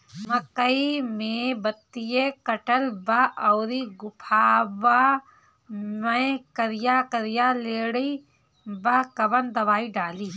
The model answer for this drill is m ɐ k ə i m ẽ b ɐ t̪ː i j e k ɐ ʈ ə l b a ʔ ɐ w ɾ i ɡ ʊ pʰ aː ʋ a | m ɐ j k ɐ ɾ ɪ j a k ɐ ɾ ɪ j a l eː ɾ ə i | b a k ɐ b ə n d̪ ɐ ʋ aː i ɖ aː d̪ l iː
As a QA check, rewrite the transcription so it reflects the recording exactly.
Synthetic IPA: m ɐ k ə i m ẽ b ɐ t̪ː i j e k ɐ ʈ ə l b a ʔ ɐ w ɾ i ɡ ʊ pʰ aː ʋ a | m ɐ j k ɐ ɾ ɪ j a k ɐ ɾ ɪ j a l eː ɽ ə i | b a k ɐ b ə n d̪ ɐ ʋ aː i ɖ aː l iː